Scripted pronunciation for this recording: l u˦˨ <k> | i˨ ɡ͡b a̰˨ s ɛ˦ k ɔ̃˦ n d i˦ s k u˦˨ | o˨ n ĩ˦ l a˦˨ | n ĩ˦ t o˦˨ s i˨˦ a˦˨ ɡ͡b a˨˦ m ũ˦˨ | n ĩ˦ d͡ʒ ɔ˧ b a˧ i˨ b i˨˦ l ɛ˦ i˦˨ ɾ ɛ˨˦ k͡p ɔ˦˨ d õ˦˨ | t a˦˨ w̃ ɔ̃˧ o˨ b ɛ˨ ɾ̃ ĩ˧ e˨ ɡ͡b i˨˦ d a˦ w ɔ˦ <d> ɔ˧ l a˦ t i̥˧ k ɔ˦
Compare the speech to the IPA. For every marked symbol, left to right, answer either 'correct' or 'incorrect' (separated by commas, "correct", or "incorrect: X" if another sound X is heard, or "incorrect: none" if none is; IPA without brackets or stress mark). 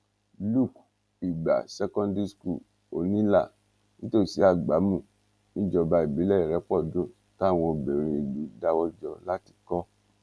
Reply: correct, incorrect: d͡ʒ